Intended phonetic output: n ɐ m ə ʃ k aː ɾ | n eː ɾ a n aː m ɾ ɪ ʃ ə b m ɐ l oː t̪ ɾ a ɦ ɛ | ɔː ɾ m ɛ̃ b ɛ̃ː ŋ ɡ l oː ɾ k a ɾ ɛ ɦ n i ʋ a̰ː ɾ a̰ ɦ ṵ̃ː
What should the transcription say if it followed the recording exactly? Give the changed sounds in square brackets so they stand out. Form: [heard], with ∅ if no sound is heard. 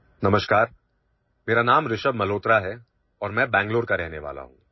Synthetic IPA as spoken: n ɐ m ə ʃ k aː ɾ | [m] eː ɾ a n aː m ɾ ɪ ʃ ə b m ɐ l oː t̪ ɾ a ɦ ɛ | ɔː ɾ m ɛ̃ b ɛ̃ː ŋ ɡ l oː ɾ k a ɾ ɛ ɦ n [e] ʋ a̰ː [l] a̰ ɦ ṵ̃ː